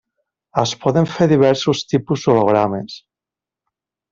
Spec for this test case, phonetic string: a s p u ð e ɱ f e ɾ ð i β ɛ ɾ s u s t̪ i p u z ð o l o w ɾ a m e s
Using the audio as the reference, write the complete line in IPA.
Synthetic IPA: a s p ɔ ð e ɱ f e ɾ ð i β ɛ ɾ s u s t̪ i p u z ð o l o ɣ ɾ a m e s